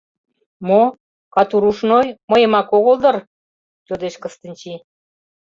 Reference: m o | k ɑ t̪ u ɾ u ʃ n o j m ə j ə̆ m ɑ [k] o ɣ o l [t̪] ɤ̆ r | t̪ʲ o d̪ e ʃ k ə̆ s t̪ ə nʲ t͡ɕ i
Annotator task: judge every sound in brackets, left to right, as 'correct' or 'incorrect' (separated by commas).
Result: correct, incorrect